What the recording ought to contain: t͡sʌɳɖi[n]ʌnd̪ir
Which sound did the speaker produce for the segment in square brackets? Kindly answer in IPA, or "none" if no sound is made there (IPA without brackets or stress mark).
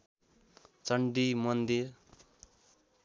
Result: m